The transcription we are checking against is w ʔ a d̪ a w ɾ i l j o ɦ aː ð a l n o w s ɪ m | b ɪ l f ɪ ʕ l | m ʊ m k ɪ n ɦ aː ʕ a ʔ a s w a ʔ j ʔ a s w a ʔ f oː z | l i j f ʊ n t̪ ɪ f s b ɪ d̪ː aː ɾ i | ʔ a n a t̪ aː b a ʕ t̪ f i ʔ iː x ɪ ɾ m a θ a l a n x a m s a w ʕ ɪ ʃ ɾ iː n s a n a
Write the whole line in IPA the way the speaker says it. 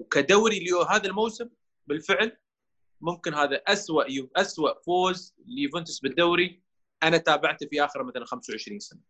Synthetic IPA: w k a d̪ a w ɾ i l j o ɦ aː ð a l m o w s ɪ m | b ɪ l f ɪ ʕ l | m ʊ m k ɪ n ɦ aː ð a ʔ a s w a ʔ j ʔ a s w a ʔ f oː z | l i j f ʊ n t̪ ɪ s b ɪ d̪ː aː ɾ i | ʔ a n a t̪ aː b a ʕ t̪ f i ʔ aː x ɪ ɾ m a θ a l a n x a m s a w ʕ ɪ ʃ ɾ iː n s a n a